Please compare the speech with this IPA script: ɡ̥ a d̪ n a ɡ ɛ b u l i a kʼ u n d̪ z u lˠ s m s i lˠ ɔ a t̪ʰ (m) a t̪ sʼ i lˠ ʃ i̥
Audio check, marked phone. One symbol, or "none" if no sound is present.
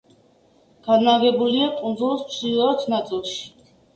n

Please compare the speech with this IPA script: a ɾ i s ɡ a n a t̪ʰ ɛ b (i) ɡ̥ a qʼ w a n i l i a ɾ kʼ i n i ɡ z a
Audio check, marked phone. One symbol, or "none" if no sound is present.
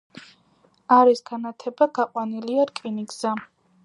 a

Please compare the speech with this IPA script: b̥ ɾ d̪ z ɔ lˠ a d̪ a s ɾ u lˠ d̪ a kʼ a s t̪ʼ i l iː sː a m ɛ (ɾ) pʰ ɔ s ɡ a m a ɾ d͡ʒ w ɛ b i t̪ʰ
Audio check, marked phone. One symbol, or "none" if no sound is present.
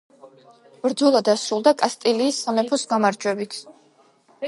none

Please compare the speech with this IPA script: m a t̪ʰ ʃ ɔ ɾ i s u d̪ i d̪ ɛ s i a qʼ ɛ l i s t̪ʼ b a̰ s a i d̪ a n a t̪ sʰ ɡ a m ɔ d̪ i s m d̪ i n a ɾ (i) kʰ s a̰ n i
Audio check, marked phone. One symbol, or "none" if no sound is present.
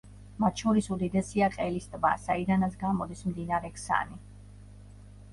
ɛ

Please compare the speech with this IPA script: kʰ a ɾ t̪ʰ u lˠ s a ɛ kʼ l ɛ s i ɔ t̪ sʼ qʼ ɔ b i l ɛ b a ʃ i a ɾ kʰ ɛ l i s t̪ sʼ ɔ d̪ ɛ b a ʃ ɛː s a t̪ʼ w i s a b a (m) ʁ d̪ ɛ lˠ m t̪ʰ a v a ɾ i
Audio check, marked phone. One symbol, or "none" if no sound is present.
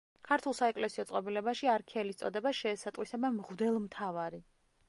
m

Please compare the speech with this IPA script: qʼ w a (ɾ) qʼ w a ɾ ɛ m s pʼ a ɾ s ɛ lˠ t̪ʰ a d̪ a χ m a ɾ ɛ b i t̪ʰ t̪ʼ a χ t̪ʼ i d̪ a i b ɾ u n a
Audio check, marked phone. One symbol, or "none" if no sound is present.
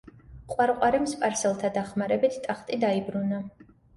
ɾ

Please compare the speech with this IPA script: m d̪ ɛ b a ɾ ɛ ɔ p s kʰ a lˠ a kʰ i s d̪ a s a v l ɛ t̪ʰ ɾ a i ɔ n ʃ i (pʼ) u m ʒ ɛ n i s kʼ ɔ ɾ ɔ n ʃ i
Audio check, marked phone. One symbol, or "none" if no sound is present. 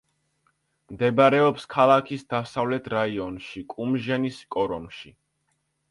kʼ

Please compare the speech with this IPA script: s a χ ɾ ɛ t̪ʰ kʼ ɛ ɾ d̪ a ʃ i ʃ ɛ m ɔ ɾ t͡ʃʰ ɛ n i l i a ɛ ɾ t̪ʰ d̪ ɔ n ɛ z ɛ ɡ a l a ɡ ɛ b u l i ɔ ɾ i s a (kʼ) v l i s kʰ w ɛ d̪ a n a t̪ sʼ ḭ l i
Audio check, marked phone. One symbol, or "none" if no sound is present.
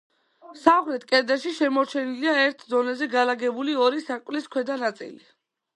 kʼ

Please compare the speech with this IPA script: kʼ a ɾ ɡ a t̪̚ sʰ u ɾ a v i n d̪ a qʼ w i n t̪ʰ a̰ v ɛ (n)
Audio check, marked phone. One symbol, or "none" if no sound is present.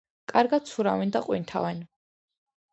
n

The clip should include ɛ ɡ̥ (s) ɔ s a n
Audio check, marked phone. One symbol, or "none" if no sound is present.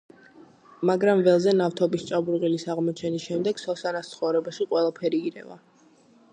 s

